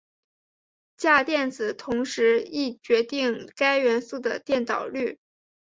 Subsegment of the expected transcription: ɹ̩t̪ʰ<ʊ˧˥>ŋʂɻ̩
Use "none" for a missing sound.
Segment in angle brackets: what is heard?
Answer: ʊ˧˥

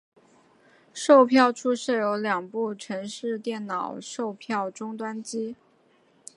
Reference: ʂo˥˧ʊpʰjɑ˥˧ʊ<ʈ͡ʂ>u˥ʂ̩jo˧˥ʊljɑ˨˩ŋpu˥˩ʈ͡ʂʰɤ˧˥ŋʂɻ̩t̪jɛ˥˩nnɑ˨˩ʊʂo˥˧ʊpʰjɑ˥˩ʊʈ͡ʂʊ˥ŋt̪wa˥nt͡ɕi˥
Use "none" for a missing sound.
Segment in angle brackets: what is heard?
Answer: ʈ͡ʂʰ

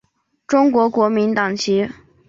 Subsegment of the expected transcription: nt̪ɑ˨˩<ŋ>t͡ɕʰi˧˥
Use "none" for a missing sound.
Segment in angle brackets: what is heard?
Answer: ŋ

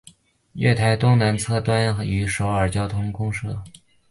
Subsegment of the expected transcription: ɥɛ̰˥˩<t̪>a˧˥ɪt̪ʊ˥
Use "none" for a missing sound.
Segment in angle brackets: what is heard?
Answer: t̪ʰ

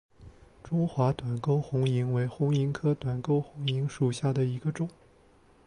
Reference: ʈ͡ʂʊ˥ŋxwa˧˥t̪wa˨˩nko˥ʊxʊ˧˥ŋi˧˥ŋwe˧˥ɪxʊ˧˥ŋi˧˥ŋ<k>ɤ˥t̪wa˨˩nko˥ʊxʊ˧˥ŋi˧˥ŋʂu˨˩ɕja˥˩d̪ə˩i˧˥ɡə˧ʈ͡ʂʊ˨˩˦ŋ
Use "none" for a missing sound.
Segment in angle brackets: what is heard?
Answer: kʰ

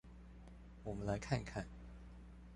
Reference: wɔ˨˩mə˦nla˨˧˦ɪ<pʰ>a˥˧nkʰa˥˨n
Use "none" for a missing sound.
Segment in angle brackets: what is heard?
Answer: kʰ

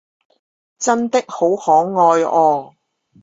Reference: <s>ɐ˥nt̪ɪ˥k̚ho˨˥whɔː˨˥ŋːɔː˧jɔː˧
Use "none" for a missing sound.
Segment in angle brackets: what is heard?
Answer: t͡s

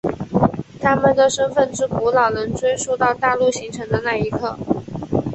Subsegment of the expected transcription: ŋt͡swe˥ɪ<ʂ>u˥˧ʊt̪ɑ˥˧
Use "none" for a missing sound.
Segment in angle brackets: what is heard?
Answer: ʂ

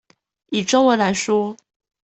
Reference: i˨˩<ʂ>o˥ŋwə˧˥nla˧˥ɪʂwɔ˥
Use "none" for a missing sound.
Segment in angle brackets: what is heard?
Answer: ʈ͡ʂ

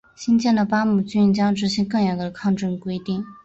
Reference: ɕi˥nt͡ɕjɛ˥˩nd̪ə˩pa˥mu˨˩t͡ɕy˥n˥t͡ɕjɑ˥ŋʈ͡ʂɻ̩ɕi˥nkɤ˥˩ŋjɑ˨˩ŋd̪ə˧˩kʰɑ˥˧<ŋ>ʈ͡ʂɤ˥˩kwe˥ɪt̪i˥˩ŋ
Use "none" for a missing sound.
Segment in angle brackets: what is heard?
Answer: ŋ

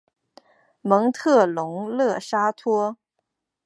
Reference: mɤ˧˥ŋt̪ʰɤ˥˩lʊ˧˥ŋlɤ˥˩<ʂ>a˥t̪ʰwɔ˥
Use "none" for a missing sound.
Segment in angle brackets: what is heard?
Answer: ʂ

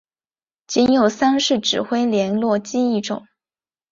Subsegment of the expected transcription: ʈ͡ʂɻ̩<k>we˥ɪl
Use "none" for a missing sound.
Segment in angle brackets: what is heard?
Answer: x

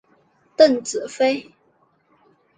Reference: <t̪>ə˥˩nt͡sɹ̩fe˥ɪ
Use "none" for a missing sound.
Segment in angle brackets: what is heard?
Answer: t̪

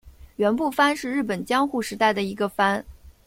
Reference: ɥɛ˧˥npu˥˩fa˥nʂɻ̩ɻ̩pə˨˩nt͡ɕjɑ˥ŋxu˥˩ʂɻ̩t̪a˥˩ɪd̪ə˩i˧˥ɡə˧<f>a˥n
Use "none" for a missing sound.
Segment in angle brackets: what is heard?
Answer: f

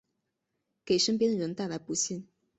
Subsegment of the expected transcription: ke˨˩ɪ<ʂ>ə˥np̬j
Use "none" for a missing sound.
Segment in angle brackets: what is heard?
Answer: ʂ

